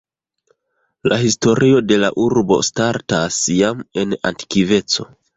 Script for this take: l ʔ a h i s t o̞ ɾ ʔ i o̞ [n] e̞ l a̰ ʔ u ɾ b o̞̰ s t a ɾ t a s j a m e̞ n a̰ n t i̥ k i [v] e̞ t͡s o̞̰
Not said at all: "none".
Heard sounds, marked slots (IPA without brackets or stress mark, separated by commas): d, v